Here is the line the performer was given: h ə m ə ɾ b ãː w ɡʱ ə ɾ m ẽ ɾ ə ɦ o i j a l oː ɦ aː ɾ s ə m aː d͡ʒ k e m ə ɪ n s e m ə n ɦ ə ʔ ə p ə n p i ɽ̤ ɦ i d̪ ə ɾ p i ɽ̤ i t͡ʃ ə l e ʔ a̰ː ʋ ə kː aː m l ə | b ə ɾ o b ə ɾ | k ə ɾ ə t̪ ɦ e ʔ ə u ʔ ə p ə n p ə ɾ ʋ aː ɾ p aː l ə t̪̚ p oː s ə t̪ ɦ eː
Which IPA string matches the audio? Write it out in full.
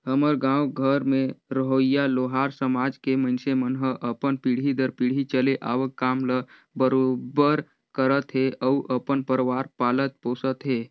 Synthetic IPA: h ə m ə ɾ ɡ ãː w ɡʱ ə ɾ m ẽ ɾ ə ɦ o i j a l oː ɦ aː ɾ s ə m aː d͡ʒ k e m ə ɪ n s e m ə n ɦ ə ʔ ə p ə n p i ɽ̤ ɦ i d̪ ə ɾ p i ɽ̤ i t͡ʃ ə l e ʔ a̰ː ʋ ə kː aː m l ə | b ə ɾ o b ə ɾ | k ə ɾ ə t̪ ɦ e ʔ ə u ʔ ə p ə n p ə ɾ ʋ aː ɾ p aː l ə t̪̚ p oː s ə t̪ ɦ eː